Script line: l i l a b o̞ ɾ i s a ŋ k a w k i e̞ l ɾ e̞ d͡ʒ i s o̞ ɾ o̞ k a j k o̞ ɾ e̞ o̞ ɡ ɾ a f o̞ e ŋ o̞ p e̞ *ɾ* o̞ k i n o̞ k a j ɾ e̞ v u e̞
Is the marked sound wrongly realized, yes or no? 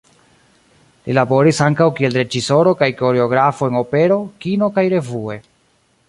no